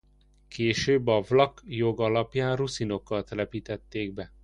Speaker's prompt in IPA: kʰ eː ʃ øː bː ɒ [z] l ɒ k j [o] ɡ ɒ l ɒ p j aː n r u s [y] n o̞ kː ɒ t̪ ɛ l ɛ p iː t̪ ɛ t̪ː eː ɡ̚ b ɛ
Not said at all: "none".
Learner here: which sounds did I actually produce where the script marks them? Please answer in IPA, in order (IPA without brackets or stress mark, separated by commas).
v, o, i